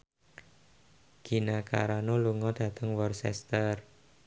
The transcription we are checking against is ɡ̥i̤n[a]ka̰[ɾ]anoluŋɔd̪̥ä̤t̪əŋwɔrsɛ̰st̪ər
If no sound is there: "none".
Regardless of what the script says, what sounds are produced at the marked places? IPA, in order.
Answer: a, ɾ

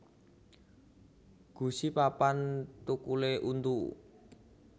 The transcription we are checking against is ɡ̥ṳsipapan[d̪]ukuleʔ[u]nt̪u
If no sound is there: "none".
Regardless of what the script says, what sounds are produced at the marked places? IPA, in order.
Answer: t̪, u

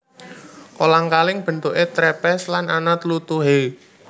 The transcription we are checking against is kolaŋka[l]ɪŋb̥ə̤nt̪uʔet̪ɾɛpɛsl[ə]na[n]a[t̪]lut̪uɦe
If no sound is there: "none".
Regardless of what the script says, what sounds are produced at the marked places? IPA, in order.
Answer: l, a, n, t̪

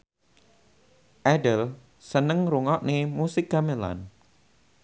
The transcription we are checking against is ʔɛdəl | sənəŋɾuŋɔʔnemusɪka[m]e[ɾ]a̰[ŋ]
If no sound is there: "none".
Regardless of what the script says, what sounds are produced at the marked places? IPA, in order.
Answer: m, l, n

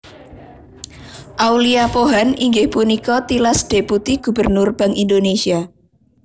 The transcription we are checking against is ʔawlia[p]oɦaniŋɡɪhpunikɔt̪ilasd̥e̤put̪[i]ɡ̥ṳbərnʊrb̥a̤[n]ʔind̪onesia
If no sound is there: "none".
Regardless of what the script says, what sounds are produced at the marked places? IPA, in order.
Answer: p, i, ŋ

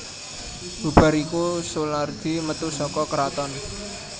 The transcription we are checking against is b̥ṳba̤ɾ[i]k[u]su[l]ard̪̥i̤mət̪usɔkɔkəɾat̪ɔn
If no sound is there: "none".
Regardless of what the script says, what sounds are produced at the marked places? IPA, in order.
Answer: i, u, l

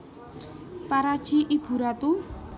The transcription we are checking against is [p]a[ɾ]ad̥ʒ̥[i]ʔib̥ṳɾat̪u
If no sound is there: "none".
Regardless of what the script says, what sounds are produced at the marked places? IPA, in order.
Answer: p, ɾ, i

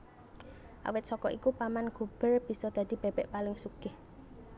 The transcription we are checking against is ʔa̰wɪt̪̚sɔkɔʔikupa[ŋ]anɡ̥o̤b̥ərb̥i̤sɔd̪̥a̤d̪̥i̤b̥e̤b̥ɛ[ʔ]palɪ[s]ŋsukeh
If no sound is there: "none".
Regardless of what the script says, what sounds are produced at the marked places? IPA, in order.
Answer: m, ʔ, none

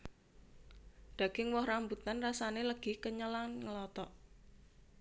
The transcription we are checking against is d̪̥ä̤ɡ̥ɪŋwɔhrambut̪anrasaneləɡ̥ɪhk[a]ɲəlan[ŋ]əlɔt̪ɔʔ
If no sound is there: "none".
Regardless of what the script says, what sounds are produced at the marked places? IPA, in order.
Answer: ə, ŋ

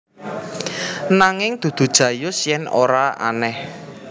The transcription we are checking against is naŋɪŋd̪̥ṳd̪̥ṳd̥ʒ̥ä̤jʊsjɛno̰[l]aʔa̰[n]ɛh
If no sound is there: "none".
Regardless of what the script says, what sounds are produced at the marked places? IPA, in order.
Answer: ɾ, n

